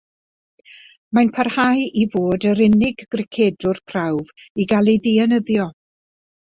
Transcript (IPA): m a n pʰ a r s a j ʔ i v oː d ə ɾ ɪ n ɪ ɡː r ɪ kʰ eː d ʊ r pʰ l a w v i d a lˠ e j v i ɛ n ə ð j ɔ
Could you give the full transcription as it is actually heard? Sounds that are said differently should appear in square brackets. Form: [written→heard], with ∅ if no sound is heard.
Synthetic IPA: m a n pʰ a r [s→h] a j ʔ i v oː d ə ɾ ɪ n ɪ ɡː r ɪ kʰ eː d ʊ r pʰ [l→r] a w v i [d→ɡ] a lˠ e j [v→ð] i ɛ n ə ð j ɔ

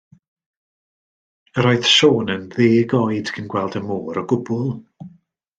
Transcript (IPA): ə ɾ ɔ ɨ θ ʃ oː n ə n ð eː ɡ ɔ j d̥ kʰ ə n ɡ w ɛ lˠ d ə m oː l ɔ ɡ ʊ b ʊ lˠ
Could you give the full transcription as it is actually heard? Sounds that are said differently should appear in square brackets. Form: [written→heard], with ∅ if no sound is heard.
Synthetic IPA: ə ɾ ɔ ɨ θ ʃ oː n ə n ð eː ɡ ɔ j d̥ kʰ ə n ɡ w ɛ lˠ d ə m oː [l→ɾ] ɔ ɡ ʊ b ʊ lˠ

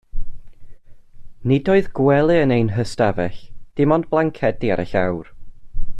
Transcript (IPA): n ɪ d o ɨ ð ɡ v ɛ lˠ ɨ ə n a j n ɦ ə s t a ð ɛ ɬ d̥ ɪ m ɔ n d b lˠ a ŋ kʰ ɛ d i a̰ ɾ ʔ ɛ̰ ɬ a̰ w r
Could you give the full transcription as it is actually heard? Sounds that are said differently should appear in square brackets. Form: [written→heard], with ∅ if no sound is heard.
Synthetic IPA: n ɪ d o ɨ ð ɡ [v→w] ɛ lˠ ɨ ə n [a→e] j n ɦ ə s t a [ð→v] ɛ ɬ d̥ ɪ m ɔ n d b lˠ a ŋ kʰ ɛ d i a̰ ɾ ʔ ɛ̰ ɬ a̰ w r

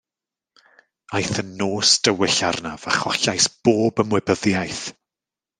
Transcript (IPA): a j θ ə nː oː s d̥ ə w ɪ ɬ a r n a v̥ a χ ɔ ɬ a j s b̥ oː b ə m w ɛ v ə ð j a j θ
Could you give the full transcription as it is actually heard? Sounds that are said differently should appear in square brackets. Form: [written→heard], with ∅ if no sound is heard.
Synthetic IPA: a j θ ə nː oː s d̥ ə w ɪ ɬ a r n a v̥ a χ ɔ ɬ a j s b̥ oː b ə m w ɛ [v→b] ə ð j a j θ

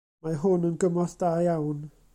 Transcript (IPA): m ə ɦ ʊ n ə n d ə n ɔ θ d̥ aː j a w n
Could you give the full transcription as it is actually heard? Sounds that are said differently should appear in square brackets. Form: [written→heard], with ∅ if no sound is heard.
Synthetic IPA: m [ə→a] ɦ ʊ n ə n [d→ɡ] ə [n→m] ɔ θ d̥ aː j a w n

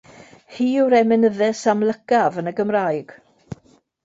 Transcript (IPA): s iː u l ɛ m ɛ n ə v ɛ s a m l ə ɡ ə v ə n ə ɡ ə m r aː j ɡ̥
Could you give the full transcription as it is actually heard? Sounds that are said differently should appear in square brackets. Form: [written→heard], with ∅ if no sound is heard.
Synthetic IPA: [s→h] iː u [l→ɾ] ɛ m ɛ n ə [v→ð] ɛ s a m l ə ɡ [ə→a] v ə n ə ɡ ə m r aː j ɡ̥

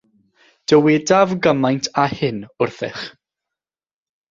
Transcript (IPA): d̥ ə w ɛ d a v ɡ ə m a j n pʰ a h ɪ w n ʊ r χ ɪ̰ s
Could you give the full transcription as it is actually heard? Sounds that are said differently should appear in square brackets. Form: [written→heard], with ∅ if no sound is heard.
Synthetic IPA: d̥ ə w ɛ d a v ɡ ə m a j n [pʰ→tʰ] a h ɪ [w→∅] n ʊ r [χ→θ] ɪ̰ [s→χ]

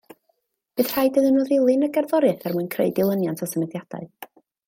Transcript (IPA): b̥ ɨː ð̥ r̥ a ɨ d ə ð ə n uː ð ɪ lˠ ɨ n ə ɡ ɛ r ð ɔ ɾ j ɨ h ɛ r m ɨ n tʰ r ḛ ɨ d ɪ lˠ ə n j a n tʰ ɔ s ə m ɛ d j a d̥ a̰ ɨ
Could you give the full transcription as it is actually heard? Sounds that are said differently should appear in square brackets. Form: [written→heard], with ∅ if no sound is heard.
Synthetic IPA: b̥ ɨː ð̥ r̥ a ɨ d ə ð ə n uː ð ɪ lˠ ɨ n ə ɡ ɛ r ð ɔ ɾ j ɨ [h→θ] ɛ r m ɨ n [tʰ→kʰ] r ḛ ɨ d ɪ lˠ ə n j a n tʰ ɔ s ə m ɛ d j a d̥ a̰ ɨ

